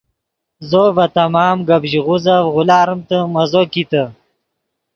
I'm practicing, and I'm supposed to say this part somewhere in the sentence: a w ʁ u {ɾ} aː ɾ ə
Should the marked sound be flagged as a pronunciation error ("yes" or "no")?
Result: yes